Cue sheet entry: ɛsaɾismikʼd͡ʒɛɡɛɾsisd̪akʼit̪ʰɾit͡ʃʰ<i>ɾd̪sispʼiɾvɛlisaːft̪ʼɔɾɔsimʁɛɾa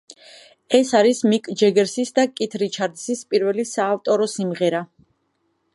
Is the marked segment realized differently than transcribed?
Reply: yes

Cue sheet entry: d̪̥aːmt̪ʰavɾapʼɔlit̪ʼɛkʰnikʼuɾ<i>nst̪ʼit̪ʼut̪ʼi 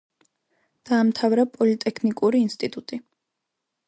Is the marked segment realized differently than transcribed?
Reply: yes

